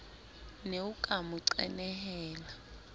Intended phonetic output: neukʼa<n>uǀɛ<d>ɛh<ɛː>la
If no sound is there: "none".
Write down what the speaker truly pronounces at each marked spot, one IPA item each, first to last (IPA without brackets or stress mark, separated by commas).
m, n, ɛː